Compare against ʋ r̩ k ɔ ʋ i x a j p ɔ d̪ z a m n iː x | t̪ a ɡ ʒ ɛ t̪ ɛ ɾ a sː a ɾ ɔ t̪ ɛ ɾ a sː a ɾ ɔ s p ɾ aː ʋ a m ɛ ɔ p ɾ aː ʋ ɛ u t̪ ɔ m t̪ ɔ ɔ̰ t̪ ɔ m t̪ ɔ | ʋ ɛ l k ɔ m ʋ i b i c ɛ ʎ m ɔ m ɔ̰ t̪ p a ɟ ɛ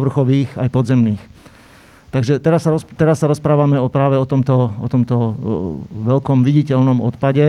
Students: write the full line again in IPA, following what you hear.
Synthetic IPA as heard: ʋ r̩ x ɔ ʋ iː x a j p ɔ d̪ z ɛ m n iː x | t̪ a ɡ ʒ ɛ t̪ ɛ ɾ a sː a ɾ ɔ t̪ ɛ ɾ a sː a ɾ ɔ s p ɾ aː ʋ a m ɛ ɔ p ɾ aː ʋ ɛ ɔ t̪ ɔ m t̪ ɔ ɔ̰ t̪ ɔ m t̪ ɔ | ʋ ɛ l k ɔ m ʋ i ɟ i c ɛ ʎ n ɔ m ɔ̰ t̪ p a ɟ ɛ